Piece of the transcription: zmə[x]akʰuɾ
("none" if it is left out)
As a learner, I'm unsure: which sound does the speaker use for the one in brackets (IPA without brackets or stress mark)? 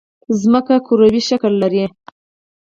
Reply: k